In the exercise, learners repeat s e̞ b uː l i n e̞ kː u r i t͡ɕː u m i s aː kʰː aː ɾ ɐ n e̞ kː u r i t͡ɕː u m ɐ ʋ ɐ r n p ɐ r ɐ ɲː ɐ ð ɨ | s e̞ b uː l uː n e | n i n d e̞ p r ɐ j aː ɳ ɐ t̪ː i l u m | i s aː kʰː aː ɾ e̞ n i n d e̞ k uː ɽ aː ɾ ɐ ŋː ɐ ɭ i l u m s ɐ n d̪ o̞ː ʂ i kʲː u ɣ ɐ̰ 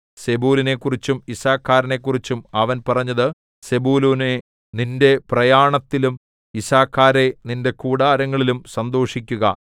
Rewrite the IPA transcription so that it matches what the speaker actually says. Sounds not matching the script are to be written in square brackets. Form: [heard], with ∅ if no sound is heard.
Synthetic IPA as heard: s e̞ b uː l i n e̞ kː u r i t͡ɕː u m i s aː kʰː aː ɾ ɐ n e̞ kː u r i t͡ɕː u m ɐ ʋ ɐ [∅] n p ɐ r ɐ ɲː ɐ ð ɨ | s e̞ b uː l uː n e | n i n d e̞ p r ɐ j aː ɳ ɐ t̪ː i l u m | i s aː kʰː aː ɾ e̞ n i n d e̞ k uː ɽ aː ɾ ɐ ŋː ɐ ɭ i l u m s ɐ n d̪ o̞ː ʂ i kʲː u ɣ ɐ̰

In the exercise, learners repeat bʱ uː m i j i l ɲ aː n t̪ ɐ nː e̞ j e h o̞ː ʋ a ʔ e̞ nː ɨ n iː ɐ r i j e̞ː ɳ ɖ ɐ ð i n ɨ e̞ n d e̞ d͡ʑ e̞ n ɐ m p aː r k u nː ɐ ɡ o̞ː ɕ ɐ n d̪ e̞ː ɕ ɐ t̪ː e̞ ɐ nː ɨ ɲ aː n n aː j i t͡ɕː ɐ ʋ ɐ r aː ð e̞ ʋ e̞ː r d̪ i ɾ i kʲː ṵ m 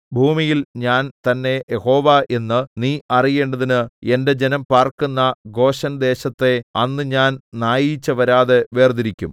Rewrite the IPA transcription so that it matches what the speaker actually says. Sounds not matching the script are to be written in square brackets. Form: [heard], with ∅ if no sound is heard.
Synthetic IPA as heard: bʱ uː m i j i l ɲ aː n t̪ ɐ nː e̞ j e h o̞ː ʋ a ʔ e̞ nː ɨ n iː ɐ r i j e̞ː ɳ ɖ ɐ ð i n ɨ e̞ n d e̞ d͡ʑ e̞ n ɐ m p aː r k u nː ɐ ɡ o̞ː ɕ ɐ n d̪ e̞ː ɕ ɐ t̪ː e̞ ɐ nː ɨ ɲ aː n n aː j i t͡ɕː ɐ ʋ ɐ [ɾ] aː ð e̞ ʋ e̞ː r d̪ i ɾ i kʲː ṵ m

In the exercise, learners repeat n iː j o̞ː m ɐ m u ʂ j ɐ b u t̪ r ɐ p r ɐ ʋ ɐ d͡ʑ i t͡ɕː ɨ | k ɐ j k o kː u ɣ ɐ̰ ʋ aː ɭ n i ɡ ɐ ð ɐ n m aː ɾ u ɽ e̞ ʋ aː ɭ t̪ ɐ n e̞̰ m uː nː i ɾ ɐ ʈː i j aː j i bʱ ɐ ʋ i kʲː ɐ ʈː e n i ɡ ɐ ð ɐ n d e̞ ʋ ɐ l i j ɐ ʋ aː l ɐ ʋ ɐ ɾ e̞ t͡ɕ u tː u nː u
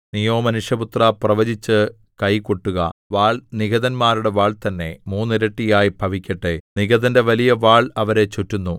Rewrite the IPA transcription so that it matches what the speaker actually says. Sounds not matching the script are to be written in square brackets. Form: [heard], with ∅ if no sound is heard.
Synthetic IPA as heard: n [i] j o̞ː m ɐ [n] u ʂ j ɐ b u t̪ r ɐ p r ɐ ʋ ɐ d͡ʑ i t͡ɕː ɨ | k ɐ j k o [ʈː] u ɣ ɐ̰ ʋ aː ɭ n i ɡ ɐ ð ɐ n m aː ɾ u ɽ e̞ ʋ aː ɭ t̪ ɐ [nː] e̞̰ m uː nː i ɾ ɐ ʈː i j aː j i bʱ ɐ ʋ i kʲː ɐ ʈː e n i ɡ ɐ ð ɐ n d e̞ ʋ ɐ l i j ɐ ʋ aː [ɭ] ɐ ʋ ɐ ɾ e̞ t͡ɕ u tː u nː u

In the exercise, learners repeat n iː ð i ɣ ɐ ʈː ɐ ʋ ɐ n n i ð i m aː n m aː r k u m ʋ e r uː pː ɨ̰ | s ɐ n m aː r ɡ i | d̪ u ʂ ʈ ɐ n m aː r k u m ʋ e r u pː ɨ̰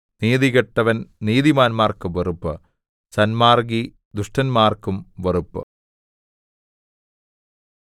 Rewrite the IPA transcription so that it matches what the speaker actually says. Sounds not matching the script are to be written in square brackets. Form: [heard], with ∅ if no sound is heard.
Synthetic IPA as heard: n iː ð i ɣ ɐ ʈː ɐ ʋ ɐ n n [iː] ð i m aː n m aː r k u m ʋ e r [u] pː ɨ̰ | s ɐ n m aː r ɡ i | d̪ u ʂ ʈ ɐ n m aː r k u m ʋ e r u pː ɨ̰

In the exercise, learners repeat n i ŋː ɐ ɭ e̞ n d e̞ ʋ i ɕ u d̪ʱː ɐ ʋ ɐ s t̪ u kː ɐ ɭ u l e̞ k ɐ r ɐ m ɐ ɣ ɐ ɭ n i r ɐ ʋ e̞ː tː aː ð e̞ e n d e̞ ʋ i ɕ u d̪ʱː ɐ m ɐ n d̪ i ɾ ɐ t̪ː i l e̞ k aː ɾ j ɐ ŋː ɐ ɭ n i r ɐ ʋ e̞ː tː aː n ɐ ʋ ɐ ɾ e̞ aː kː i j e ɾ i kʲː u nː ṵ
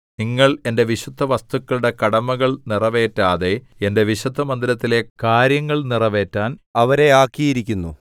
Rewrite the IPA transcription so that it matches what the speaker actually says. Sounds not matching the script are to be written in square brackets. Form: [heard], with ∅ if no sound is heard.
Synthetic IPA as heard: n i ŋː ɐ ɭ e̞ n d e̞ ʋ i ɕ u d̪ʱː ɐ ʋ ɐ s t̪ u kː ɐ ɭ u [ɽ] e̞ k ɐ [ɽ] ɐ m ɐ ɣ ɐ ɭ n i r ɐ ʋ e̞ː tː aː ð e̞ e n d e̞ ʋ i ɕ u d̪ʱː ɐ m ɐ n d̪ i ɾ ɐ t̪ː i l e̞ k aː ɾ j ɐ ŋː ɐ ɭ n i r ɐ ʋ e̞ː tː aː n ɐ ʋ ɐ ɾ e̞ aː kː i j [i] ɾ i kʲː u nː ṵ

